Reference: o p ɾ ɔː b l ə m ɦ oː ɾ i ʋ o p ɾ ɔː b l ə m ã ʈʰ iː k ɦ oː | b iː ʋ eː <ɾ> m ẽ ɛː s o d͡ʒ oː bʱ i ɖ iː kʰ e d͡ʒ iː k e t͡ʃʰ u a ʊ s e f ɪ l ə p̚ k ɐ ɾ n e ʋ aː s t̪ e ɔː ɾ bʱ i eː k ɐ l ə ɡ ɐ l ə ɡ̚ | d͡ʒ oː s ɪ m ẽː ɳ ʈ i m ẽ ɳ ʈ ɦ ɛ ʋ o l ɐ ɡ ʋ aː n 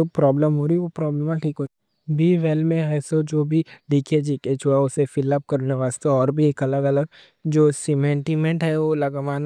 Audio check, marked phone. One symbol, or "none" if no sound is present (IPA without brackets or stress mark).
l